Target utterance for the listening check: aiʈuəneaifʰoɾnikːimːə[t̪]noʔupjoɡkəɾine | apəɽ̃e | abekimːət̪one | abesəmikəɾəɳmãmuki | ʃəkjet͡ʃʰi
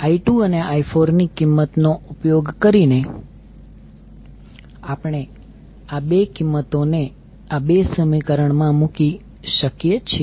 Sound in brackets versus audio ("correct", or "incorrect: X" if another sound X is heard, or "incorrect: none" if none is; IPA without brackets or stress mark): correct